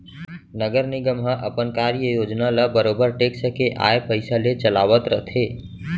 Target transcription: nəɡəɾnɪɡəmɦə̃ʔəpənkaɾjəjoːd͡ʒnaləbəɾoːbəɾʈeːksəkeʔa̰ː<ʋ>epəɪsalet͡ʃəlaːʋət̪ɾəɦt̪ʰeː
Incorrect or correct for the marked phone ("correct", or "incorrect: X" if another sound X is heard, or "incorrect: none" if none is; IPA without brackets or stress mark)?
incorrect: none